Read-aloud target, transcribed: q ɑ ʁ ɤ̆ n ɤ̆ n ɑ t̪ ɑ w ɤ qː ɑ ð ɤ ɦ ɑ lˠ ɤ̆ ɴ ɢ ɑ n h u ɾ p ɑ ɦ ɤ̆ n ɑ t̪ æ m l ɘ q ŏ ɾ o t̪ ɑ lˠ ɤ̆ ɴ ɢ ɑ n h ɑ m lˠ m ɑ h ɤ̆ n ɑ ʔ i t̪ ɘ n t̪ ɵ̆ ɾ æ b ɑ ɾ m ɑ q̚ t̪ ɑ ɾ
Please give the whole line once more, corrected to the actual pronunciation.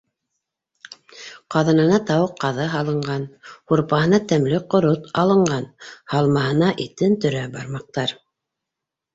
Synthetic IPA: q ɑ ð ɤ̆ n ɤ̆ n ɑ t̪ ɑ w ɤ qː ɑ ð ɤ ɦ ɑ lˠ ɤ̆ ɴ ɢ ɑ n h u ɾ p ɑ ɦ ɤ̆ n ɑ t̪ æ m l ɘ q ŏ ɾ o t̪ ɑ lˠ ɤ̆ ɴ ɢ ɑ n h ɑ lˠ m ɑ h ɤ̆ n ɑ ʔ i t̪ ɘ n t̪ ɵ̆ ɾ æ b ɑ ɾ m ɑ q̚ t̪ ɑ ɾ

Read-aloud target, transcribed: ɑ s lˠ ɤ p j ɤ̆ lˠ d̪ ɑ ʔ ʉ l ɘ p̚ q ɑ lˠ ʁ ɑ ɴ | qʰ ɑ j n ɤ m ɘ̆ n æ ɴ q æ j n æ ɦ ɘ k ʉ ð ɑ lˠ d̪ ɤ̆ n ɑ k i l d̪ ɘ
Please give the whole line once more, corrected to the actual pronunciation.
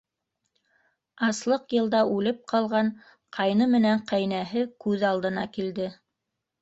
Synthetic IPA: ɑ s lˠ ɤ q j ɤ̆ lˠ d̪ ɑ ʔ ʉ l ɘ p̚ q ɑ lˠ ʁ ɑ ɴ | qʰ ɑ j n ɤ m ɘ̆ n æ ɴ q æ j n æ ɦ ɘ k ʉ ð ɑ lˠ d̪ ɤ̆ n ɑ k i l d̪ ɘ

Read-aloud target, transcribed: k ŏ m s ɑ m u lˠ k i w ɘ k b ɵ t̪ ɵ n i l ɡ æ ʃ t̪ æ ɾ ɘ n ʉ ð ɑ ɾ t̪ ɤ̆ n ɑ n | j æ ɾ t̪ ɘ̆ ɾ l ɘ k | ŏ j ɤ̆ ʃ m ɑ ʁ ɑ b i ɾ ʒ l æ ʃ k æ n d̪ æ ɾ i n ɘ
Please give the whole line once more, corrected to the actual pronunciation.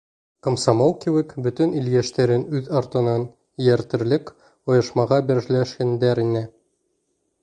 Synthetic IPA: k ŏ m s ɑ m o lˠ k i w ɘ k b ɵ t̪ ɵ n i l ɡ æ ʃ t̪ æ ɾ ɘ n ʉ ð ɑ ɾ t̪ ɤ̆ n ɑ n | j æ ɾ t̪ ɘ̆ ɾ l ɘ k | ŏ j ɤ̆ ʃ m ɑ ʁ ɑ b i ɾ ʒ l æ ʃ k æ n d̪ æ ɾ i n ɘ

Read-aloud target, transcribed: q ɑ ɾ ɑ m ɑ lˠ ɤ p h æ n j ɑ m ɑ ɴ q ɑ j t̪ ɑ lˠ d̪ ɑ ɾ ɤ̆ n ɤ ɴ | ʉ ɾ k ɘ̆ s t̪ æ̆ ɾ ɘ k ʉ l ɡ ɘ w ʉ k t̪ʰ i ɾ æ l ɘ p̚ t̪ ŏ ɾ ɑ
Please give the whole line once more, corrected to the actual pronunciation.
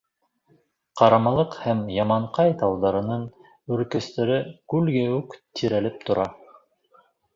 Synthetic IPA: q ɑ ɾ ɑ m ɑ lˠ ɤ q h æ m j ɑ m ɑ ɴ q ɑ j t̪ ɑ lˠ d̪ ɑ ɾ ɤ̆ n ɤ ɴ | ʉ ɾ k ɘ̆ s t̪ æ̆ ɾ ɘ k ʉ l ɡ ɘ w ʉ k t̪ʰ i ɾ æ l ɘ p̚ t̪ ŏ ɾ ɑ

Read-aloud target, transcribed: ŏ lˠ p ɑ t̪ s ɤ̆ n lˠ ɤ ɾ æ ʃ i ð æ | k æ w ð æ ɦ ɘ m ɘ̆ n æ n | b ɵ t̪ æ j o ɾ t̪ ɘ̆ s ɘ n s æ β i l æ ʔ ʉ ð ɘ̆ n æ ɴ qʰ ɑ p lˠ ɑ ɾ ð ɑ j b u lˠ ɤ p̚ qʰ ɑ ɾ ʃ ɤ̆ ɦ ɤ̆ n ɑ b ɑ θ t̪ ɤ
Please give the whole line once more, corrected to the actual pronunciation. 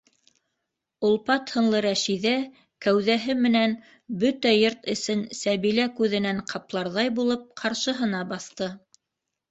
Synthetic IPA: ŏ lˠ p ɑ t̪ h ɤ̆ n lˠ ɤ ɾ æ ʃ i ð æ | k æ w ð æ ɦ ɘ m ɘ̆ n æ n | b ɵ t̪ æ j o ɾ t̪ ɘ̆ s ɘ n s æ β i l æ k ʉ ð ɘ̆ n æ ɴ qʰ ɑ p lˠ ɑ ɾ ð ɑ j b u lˠ ɤ p̚ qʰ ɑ ɾ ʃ ɤ̆ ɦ ɤ̆ n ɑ b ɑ θ t̪ ɤ

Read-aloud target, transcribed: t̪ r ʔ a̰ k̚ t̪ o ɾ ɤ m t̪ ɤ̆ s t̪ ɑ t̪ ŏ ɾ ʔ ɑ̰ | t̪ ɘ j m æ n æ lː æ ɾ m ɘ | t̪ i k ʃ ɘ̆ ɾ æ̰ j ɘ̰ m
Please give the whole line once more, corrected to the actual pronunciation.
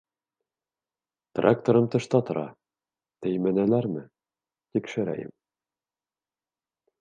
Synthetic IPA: t̪ r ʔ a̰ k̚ t̪ o ɾ ɤ m t̪ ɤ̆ ʃ t̪ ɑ t̪ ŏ ɾ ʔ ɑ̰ | t̪ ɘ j m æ n æ l æ ɾ m ɘ | t̪ i k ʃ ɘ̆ ɾ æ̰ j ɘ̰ m

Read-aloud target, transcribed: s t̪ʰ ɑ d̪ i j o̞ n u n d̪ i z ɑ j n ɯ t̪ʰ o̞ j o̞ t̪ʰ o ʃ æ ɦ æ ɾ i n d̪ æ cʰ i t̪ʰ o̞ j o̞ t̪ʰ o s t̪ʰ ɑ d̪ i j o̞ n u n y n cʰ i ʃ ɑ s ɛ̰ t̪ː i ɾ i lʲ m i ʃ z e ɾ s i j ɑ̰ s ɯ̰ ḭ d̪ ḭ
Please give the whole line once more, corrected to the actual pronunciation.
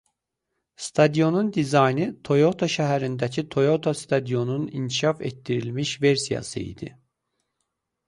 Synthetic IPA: s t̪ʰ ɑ d̪ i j o̞ n u n d̪ i z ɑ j n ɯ t̪ʰ o̞ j o̞ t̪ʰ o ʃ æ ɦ æ ɾ i n d̪ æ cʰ i t̪ʰ o̞ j o̞ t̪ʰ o s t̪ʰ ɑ d̪ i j o̞ n u n i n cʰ i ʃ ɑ f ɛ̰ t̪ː i ɾ i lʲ m i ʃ v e ɾ s i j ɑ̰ s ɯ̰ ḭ d̪ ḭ

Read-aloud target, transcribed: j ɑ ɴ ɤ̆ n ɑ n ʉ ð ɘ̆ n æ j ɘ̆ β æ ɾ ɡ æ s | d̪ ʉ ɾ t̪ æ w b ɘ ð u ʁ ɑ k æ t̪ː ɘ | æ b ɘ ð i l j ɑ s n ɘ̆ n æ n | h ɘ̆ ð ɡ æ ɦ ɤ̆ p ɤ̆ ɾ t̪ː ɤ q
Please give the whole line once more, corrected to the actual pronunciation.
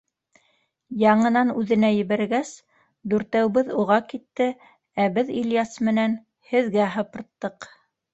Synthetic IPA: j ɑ ɴ ɤ̆ n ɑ n ʉ ð ɘ̆ n æ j ɘ̆ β æ ɾ ɡ æ s | d̪ ʉ ɾ t̪ æ w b ɘ ð u ʁ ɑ k i t̪ː ɘ | æ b ɘ ð i l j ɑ s m ɘ̆ n æ n | h ɘ̆ ð ɡ æ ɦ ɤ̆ p ɤ̆ ɾ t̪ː ɤ q

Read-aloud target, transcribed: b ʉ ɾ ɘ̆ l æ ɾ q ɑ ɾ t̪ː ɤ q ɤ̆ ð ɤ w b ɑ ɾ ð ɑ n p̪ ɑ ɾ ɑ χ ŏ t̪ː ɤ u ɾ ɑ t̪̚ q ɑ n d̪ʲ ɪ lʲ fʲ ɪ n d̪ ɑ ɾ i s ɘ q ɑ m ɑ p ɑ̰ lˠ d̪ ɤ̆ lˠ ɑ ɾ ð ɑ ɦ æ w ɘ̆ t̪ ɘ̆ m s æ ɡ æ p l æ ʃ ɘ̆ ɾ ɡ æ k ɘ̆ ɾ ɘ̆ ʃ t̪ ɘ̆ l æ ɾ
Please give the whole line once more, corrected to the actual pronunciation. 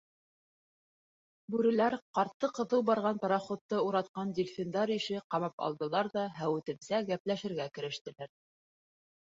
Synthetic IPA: b ʉ ɾ ɘ̆ l æ ɾ q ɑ ɾ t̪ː ɤ q ɤ̆ ð ɤ w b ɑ ɾ ʁ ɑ n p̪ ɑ ɾ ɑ χ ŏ t̪ː ɤ u ɾ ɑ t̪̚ q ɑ n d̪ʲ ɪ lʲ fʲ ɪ n d̪ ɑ ɾ i ʃ ɘ q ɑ m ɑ p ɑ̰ lˠ d̪ ɤ̆ lˠ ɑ ɾ ð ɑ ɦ æ w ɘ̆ t̪ ɘ̆ m s æ ɡ æ p l æ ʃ ɘ̆ ɾ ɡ æ k ɘ̆ ɾ ɘ̆ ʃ t̪ ɘ̆ l æ ɾ

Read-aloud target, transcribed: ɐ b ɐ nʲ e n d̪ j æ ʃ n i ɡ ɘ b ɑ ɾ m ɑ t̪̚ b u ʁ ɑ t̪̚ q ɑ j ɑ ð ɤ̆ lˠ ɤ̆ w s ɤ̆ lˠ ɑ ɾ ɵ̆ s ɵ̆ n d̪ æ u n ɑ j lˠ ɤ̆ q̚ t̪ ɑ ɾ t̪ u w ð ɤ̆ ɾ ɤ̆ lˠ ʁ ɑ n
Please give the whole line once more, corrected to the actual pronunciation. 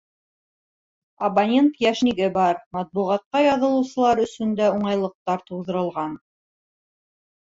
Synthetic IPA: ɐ b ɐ nʲ e n t̪ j æ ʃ n i ɡ ɘ b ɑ ɾ m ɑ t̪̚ b u ʁ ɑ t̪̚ q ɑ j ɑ ð ɤ̆ lˠ ɤ̆ w s ɤ̆ lˠ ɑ ɾ ɵ̆ s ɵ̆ n d̪ æ u ɴ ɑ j lˠ ɤ̆ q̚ t̪ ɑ ɾ t̪ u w ð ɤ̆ ɾ ɤ̆ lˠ ʁ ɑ n

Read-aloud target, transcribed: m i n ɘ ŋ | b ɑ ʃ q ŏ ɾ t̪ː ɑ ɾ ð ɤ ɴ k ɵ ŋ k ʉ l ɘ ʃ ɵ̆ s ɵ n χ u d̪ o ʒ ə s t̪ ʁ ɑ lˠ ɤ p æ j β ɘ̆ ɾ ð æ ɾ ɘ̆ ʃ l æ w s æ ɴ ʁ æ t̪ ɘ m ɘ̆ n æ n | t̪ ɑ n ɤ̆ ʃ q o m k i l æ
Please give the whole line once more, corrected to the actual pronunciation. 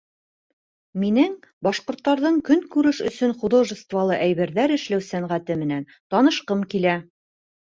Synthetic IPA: m i n ɘ ŋ | b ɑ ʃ q ŏ ɾ t̪ː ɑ ɾ ð ɤ ɴ k ɵ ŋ k ʉ ɾ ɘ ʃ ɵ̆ s ɵ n χ u d̪ o ʒ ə s t̪ v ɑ lˠ ɤ ʔ æ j β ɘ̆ ɾ ð æ ɾ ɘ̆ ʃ l æ w s æ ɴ ʁ æ t̪ ɘ m ɘ̆ n æ n | t̪ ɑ n ɤ̆ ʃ q ɤ m k i l æ

